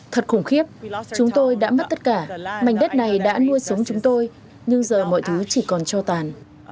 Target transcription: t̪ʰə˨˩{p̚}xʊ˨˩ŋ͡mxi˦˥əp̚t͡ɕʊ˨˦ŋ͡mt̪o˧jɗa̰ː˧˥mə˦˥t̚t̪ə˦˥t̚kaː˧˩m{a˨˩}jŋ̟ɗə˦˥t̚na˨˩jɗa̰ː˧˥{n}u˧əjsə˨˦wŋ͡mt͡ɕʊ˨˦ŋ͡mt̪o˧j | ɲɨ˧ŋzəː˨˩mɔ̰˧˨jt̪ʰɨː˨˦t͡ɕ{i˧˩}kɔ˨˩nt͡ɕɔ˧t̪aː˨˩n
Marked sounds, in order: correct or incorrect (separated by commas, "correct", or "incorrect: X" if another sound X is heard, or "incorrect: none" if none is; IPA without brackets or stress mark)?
incorrect: t̚, correct, correct, correct